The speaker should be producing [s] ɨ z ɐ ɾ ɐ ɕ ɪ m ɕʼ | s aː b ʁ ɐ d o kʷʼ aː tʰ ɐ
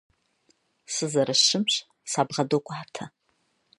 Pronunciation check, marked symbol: correct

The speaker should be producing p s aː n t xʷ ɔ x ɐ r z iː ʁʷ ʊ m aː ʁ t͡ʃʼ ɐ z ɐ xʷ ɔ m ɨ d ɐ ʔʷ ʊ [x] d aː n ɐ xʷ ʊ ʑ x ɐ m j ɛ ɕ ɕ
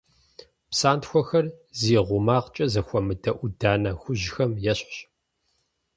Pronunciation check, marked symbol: incorrect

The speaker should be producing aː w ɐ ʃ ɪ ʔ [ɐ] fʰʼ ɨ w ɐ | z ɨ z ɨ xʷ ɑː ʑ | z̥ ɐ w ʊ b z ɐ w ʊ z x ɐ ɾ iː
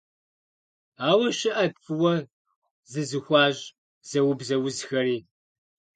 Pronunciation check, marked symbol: correct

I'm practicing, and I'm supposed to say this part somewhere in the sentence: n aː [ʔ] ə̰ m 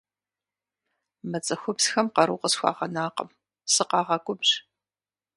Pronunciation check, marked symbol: incorrect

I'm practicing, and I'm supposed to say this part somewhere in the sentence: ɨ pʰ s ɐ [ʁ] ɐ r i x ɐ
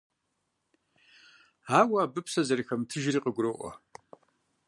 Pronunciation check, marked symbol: incorrect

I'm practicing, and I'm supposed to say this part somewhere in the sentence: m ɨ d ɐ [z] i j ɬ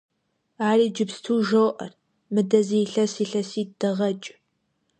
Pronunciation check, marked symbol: correct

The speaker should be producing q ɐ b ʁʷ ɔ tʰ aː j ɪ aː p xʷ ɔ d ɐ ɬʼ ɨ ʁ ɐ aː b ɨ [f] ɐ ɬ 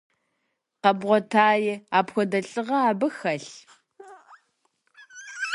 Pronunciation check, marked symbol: incorrect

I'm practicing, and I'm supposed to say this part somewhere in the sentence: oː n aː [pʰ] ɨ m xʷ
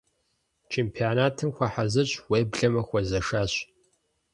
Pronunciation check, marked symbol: incorrect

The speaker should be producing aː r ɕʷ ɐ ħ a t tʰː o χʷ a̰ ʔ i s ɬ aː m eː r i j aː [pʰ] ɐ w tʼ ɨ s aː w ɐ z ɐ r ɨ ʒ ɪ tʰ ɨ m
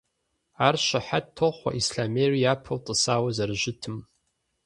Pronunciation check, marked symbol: correct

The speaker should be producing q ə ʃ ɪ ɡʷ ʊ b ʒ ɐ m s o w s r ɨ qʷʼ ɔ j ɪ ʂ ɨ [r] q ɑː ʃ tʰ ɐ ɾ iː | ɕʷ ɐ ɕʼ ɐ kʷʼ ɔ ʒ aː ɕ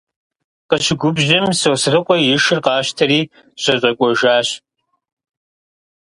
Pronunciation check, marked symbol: correct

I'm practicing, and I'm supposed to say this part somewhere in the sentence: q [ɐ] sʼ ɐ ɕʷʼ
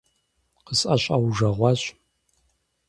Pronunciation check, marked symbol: incorrect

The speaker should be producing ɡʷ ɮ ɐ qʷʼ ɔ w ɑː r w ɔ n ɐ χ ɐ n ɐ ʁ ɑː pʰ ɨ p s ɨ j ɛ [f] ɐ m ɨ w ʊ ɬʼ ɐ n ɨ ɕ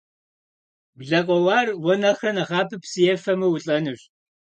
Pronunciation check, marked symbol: correct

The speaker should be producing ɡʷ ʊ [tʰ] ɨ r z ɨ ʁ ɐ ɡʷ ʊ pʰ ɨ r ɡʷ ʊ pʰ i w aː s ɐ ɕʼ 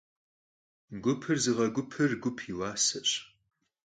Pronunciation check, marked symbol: incorrect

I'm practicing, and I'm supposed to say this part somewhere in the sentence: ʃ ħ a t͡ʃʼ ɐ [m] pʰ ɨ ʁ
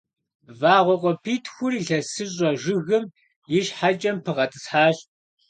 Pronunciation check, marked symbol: correct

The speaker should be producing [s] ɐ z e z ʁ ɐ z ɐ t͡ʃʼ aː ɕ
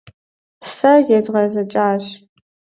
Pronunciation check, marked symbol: correct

